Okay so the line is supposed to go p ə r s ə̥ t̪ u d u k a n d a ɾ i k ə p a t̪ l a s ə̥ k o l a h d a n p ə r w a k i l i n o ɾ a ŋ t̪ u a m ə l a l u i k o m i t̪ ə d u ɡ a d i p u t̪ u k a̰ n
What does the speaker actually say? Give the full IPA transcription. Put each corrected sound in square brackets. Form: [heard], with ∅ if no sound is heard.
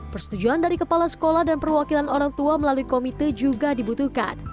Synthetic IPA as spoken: p ə r s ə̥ t̪ u [d͡ʒ] u [∅] a n d a ɾ i k ə p a [∅] l a s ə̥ k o l a h d a n p ə r w a k i l [a] n o ɾ a ŋ t̪ u a m ə l a l u i k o m i t̪ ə [d͡ʒ] u ɡ a d i [b] u t̪ u k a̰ n

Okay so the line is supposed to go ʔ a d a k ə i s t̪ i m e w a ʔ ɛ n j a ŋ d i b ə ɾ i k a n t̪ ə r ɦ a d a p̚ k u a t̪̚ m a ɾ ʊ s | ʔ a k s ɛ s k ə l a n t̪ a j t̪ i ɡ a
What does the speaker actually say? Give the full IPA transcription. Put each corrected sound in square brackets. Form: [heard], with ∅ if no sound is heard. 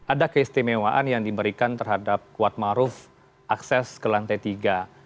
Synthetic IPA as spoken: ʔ a d a k ə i s t̪ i m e w a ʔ [a] n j a ŋ d i b ə ɾ i k a n t̪ ə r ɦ a d a p̚ k u a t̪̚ m a ɾ ʊ [f] | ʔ a k s ɛ s k ə l a n t̪ a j t̪ i ɡ a

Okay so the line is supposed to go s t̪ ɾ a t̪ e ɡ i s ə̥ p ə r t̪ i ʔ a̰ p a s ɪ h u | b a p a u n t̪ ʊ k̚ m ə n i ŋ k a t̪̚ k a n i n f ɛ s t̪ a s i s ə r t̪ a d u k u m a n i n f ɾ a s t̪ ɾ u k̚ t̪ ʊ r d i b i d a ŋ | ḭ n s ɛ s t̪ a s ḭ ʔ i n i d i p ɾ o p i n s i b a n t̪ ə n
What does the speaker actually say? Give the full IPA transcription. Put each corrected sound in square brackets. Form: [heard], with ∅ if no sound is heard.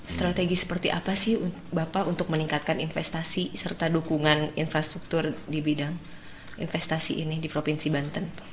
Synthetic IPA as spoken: s t̪ ɾ a t̪ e ɡ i s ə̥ p ə r t̪ i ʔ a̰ p a s ɪ h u | b a p a u n t̪ ʊ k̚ m ə n i ŋ k a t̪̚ k a n i n f ɛ s t̪ a s i s ə r t̪ a d u k u [ŋ] a n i n f ɾ a s t̪ ɾ u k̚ t̪ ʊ r d i b i d a ŋ | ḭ n [f] ɛ s t̪ a s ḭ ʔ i n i d i p ɾ o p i n s i b a n t̪ ə n

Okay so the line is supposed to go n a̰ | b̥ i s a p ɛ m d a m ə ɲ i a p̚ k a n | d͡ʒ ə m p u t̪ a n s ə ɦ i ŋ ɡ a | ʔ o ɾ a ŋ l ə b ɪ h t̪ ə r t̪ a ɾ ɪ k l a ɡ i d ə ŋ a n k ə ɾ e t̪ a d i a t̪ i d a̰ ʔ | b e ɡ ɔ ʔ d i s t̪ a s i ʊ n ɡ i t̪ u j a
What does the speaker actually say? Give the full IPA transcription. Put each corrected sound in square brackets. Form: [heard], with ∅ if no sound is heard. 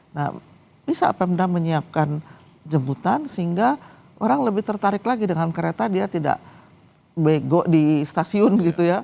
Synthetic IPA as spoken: n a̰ | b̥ i s a p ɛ m d a m ə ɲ i a p̚ k a n | d͡ʒ ə m [b] u t̪ a n s ə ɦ i ŋ ɡ a | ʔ o ɾ a ŋ l ə b ɪ h t̪ ə r t̪ a ɾ ɪ k l a ɡ i d ə ŋ a n k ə ɾ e t̪ a d i a t̪ i d a̰ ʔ | b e ɡ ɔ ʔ d i s t̪ a s i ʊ n ɡ i t̪ u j a

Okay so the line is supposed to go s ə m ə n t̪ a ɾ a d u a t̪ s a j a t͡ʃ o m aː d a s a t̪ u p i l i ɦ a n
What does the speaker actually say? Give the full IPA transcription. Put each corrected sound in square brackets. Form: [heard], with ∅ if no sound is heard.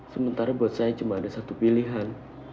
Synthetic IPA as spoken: s ə m ə n t̪ a ɾ a [b] u a t̪ s a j a t͡ʃ [u] m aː d a s a t̪ u p i l i ɦ a n

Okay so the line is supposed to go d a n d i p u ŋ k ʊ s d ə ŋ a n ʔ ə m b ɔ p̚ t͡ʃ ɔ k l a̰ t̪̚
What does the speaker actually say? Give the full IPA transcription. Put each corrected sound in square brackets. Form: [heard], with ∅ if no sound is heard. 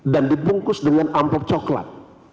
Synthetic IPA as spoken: d a n d i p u ŋ k ʊ s d ə ŋ a n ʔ [a] m [p] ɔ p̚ t͡ʃ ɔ k l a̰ t̪̚

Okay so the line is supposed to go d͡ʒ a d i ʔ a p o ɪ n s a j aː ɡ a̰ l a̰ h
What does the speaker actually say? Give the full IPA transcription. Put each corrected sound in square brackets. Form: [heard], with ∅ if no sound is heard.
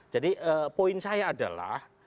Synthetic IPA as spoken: d͡ʒ a d i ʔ [ə] p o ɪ n s a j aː [d] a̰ l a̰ h

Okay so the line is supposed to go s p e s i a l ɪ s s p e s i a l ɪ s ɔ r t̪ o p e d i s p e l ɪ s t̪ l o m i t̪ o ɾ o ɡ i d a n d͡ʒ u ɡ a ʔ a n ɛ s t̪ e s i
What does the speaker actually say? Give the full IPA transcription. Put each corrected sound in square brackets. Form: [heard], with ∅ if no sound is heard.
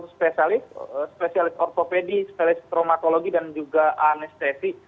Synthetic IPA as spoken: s p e s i a l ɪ s s p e s i a l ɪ s ɔ r t̪ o p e d i s p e l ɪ s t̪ [ɾ] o m [a] t̪ o [l] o ɡ i d a n d͡ʒ u ɡ a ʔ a n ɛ s t̪ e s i

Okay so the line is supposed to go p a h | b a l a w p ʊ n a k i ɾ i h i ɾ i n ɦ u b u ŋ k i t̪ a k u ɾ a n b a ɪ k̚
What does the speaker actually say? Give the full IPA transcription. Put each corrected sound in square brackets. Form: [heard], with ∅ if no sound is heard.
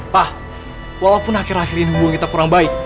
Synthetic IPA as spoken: p a h | [w] a l a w p ʊ n a k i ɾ [a] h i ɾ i n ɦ u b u ŋ k i t̪ a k u ɾ a [ŋ] b a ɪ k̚

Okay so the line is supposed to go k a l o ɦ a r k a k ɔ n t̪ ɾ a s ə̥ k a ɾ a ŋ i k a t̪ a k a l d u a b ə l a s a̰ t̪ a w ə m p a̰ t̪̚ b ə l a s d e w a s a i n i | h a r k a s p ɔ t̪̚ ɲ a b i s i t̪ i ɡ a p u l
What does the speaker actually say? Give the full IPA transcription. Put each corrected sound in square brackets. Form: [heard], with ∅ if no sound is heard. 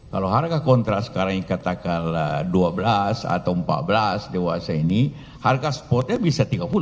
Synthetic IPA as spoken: k a l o ɦ a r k a k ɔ n t̪ ɾ a s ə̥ k a ɾ a ŋ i k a t̪ a k a l d u a b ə l a s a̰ t̪ a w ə m p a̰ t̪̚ b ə l a s d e w a s a i n i | h a r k a s p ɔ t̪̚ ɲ a b i s [a] t̪ i ɡ a p u l

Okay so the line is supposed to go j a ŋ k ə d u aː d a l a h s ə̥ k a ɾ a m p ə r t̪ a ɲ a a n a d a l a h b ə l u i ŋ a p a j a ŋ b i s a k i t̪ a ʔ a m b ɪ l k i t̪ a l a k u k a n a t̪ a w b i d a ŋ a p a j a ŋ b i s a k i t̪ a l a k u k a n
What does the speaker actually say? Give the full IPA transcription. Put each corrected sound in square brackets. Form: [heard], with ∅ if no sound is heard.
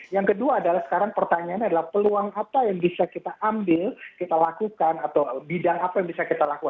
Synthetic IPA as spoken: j a ŋ k ə d u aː d a l a h s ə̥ k a ɾ a [ŋ] p ə r t̪ a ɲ a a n a d a l a h [p] ə l u [a] ŋ a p a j a ŋ b i s a k i t̪ a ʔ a m b ɪ l k i t̪ a l a k u k a n a t̪ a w b i d a ŋ a p a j a ŋ b i s a k i t̪ a l a k u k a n

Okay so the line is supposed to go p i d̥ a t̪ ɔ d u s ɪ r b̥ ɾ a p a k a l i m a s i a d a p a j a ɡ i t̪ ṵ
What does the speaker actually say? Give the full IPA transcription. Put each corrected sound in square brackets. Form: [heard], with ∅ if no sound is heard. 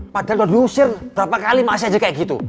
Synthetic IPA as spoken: p [a] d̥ a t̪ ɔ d u s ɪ r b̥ ɾ a p a k a l i m a s i a [d͡ʒ] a [k] a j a ɡ i t̪ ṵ

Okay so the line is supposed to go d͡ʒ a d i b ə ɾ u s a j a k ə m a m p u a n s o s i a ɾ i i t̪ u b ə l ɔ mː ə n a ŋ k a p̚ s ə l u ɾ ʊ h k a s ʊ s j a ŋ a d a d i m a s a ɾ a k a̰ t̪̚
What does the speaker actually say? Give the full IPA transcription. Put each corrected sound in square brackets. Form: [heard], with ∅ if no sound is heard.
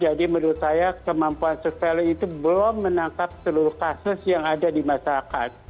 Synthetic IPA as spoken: d͡ʒ a d i [m] ə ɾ u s a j a k ə m a m p u a n s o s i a [l] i i t̪ u b ə l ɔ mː ə n a ŋ k a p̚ s ə l u ɾ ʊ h k a s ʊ s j a ŋ a d a d i m a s a ɾ a k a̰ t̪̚

